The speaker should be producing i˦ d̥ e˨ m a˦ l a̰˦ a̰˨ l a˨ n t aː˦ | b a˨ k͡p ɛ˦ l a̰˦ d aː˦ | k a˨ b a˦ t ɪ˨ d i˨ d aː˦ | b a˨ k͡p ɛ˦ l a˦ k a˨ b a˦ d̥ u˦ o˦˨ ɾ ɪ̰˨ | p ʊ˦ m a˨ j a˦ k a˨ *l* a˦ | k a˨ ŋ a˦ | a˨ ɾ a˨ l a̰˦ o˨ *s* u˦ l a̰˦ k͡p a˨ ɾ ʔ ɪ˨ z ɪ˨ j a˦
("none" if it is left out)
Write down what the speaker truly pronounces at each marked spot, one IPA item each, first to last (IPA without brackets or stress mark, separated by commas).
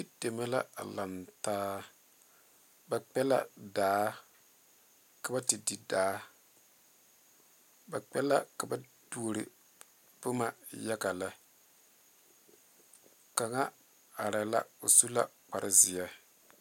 l, s